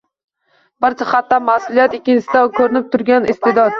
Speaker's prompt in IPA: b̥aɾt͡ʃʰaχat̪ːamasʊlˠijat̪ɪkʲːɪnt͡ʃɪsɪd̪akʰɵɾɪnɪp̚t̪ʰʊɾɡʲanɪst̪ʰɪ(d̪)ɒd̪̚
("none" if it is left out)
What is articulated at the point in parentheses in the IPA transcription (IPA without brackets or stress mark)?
d̪